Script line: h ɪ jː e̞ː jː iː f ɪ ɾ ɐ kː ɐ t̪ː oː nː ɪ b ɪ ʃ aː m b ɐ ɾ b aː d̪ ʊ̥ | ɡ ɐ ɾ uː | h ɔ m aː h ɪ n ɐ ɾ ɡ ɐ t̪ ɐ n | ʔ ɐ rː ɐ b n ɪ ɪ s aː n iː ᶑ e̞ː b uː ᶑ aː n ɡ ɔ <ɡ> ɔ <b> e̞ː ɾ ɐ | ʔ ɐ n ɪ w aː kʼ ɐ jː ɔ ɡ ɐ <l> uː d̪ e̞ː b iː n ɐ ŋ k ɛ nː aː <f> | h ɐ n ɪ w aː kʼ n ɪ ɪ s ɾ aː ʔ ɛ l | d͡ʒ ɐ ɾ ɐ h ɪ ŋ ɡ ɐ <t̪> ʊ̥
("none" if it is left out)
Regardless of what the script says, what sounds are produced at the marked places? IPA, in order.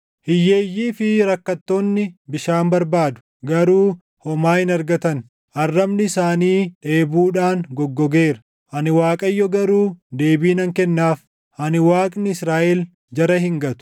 ɡː, ɡ, ɾ, f, t̪

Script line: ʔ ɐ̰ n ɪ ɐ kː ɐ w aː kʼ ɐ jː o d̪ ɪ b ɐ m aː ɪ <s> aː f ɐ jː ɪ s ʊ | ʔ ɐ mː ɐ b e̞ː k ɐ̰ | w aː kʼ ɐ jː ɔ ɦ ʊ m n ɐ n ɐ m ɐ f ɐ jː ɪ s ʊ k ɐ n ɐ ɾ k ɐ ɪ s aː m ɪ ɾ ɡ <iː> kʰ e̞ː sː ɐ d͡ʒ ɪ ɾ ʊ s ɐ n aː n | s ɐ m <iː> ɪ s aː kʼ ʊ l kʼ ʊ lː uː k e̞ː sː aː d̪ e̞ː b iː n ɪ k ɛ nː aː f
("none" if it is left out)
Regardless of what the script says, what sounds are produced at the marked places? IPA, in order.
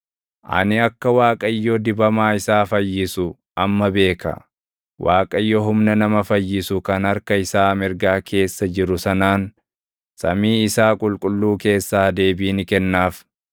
s, aː, iː

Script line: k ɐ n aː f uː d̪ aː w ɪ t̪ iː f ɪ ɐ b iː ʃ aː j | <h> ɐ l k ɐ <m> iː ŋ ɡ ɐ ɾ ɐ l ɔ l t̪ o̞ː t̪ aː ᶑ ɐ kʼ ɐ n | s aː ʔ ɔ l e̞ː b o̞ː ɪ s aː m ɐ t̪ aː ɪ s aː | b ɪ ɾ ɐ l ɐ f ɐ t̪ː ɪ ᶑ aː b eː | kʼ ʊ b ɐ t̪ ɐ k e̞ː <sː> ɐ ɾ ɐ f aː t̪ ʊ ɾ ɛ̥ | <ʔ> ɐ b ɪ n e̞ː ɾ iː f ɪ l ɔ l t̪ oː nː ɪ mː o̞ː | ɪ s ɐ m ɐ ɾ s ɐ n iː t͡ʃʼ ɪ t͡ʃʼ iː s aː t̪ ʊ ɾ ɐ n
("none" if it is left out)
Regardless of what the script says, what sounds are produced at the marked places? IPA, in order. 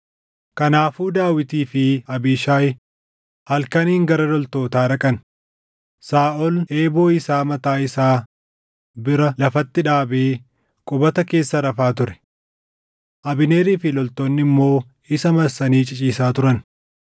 h, n, sː, ʔ

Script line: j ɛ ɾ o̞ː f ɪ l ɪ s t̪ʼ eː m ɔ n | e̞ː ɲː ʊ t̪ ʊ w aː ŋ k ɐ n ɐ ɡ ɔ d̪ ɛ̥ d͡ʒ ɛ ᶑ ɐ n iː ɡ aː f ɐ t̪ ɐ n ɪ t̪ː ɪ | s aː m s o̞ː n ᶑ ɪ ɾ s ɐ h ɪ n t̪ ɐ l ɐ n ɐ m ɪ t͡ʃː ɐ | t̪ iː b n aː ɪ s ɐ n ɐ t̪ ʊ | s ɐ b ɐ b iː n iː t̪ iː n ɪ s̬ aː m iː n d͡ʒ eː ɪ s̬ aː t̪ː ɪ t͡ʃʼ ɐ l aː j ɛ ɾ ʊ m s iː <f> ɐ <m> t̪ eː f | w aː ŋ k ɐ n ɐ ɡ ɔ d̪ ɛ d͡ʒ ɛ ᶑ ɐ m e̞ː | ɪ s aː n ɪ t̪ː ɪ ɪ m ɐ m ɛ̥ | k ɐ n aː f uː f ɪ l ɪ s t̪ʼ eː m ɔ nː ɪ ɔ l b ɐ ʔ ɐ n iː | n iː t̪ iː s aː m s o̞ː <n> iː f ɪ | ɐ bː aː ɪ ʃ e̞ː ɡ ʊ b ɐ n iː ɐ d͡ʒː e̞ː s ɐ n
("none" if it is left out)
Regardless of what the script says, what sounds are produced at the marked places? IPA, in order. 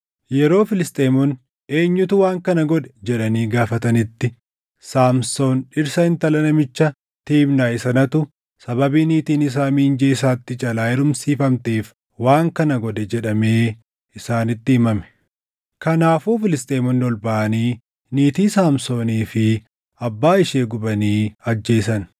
f, m, n

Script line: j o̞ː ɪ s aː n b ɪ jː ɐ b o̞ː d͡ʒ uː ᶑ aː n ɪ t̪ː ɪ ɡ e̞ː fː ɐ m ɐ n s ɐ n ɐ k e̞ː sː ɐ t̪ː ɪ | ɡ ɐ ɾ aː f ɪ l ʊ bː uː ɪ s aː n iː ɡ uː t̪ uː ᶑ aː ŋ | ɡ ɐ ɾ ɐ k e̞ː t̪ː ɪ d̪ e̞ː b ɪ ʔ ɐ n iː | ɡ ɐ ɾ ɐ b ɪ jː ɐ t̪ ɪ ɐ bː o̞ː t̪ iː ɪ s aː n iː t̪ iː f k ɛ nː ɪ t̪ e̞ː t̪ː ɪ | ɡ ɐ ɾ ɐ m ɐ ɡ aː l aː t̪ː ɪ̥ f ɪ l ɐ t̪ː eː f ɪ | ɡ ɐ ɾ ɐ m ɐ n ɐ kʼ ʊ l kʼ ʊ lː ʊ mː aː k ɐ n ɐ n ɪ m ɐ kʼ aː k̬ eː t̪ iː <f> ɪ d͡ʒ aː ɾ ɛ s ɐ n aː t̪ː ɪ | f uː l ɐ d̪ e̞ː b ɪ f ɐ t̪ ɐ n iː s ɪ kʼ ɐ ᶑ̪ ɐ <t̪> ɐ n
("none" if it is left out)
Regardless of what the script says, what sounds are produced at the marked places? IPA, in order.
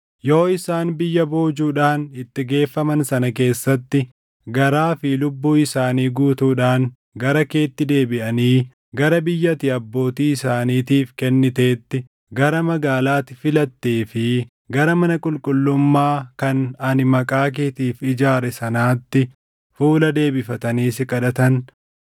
f, t̪

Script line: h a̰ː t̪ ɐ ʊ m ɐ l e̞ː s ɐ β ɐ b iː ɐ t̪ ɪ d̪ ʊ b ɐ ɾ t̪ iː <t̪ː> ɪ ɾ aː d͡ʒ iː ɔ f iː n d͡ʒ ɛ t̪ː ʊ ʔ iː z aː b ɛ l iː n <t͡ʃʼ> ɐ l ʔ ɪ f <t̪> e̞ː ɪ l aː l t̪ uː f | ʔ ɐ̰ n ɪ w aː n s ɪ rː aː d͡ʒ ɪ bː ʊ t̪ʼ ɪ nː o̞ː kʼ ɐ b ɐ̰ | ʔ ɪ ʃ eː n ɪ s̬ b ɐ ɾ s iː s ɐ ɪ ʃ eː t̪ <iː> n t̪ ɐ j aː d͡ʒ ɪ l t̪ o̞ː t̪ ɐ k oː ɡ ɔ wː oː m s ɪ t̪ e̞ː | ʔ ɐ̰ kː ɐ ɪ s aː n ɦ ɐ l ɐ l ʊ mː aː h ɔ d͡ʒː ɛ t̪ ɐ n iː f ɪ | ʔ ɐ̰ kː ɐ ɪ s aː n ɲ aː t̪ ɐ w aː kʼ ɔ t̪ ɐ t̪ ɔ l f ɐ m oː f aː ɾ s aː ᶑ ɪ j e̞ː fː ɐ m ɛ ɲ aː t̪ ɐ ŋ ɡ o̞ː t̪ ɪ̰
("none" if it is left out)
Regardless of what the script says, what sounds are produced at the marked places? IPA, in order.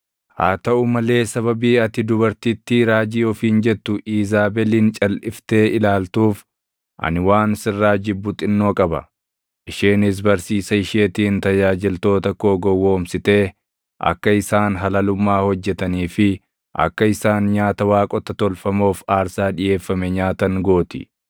t̪ː, t͡ʃʼ, t̪, iː

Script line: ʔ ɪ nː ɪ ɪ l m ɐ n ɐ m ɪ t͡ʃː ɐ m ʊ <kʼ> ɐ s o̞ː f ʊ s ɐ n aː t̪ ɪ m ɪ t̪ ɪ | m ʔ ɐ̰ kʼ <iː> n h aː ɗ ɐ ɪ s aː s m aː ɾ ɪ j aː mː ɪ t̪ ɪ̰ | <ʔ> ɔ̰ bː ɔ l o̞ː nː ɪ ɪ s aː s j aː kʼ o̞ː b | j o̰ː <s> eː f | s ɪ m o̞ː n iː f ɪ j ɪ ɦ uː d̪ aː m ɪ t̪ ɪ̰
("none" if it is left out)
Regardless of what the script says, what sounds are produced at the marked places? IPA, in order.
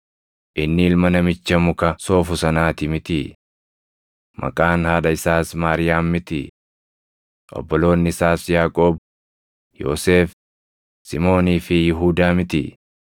k, aː, ʔ, s

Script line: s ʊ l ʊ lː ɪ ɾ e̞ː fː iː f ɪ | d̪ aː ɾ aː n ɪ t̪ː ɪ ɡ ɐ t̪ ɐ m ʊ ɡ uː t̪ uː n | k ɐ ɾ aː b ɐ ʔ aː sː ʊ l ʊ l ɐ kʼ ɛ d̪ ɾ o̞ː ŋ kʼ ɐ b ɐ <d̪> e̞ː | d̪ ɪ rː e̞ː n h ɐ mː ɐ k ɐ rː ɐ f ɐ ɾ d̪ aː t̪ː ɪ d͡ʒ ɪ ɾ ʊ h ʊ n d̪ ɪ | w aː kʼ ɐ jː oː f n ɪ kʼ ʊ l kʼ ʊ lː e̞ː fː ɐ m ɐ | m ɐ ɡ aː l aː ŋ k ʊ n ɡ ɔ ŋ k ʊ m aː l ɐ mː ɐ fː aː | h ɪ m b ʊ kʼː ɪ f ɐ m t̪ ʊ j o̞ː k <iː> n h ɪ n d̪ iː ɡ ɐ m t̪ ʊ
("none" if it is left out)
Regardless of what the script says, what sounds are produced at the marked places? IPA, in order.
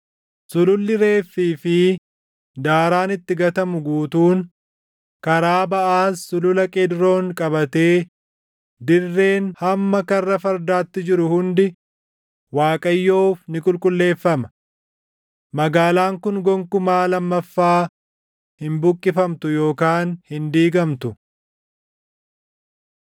t̪, aː

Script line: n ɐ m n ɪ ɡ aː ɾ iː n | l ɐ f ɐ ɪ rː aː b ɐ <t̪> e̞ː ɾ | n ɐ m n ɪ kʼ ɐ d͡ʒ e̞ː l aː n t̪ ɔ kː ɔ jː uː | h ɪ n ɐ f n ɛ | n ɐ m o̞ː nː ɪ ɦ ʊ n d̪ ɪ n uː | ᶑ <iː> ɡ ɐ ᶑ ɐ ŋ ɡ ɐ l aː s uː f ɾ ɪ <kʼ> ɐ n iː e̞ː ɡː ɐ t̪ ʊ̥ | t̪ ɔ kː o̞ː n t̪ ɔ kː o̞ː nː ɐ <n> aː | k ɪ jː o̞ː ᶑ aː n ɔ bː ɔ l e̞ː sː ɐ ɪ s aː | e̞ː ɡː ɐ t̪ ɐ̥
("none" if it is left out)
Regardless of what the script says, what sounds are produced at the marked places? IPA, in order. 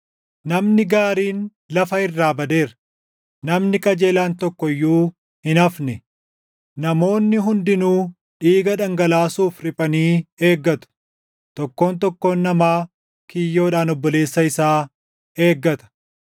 d̪, iː, pʼ, m

